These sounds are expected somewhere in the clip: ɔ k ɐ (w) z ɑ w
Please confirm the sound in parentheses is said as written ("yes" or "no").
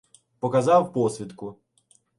no